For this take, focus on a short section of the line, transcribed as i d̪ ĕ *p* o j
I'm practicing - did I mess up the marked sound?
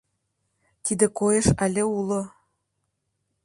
yes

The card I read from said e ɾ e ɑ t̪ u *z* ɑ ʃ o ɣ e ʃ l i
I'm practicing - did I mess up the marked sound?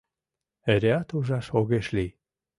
yes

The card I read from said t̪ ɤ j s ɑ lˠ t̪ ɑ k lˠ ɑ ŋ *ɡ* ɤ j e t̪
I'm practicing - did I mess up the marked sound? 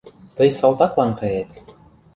yes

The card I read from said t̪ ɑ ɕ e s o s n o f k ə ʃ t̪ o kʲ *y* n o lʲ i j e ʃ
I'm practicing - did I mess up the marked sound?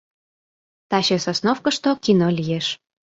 yes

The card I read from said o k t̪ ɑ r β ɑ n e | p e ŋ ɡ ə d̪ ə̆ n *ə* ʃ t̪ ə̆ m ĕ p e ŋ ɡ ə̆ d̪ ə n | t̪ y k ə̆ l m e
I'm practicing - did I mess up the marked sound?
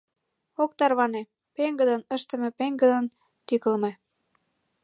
no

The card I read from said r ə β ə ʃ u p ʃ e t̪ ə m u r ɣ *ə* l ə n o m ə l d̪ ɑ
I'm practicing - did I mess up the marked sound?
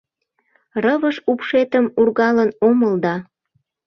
yes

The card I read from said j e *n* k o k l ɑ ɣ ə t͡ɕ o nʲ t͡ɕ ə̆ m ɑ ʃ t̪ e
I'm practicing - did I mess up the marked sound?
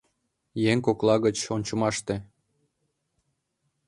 yes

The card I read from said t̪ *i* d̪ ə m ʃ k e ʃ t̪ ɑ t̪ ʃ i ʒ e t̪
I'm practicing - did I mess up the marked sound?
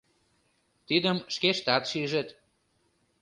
no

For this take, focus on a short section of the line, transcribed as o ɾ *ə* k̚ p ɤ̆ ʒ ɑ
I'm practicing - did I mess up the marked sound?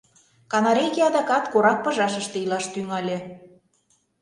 yes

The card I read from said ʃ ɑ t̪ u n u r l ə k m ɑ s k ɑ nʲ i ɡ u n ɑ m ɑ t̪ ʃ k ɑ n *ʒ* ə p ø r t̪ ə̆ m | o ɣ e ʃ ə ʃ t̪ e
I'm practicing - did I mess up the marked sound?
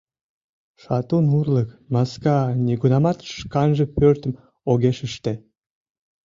no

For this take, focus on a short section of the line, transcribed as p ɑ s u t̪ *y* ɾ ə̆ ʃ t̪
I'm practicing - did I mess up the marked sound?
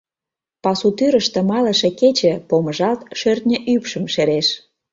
no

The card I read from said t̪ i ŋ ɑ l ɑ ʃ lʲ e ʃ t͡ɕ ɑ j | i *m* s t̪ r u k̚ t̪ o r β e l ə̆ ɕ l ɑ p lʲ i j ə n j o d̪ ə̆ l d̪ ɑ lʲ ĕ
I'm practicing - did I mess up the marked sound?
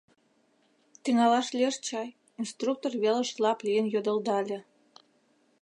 yes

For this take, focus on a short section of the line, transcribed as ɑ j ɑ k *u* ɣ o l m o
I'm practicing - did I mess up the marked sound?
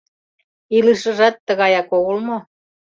yes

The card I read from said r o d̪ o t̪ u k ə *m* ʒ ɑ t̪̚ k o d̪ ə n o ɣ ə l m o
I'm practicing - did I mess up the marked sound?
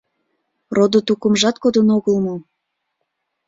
no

